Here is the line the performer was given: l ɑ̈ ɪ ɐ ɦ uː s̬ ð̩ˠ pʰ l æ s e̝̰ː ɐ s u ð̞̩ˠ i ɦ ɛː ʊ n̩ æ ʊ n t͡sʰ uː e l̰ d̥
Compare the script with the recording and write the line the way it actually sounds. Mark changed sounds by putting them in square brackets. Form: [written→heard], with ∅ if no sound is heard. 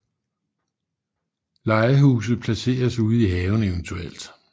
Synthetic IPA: l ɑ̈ ɪ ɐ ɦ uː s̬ ð̩ˠ pʰ l æ s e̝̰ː ɐ s u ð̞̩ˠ i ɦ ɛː ʊ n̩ [æ→e] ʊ n t͡sʰ [uː→u] e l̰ d̥